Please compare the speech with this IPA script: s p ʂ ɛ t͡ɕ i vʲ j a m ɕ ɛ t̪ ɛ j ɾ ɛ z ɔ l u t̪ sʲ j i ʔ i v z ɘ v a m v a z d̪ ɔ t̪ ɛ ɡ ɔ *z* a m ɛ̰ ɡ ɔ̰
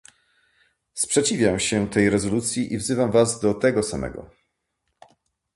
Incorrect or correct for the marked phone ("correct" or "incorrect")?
incorrect